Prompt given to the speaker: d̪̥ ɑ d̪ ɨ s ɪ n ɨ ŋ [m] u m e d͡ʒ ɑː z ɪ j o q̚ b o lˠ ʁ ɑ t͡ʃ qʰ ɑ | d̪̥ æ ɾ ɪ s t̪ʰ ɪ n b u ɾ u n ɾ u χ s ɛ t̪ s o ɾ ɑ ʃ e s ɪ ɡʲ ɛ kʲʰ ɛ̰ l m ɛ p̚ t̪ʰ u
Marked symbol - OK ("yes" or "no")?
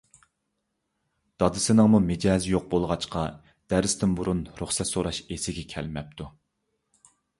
yes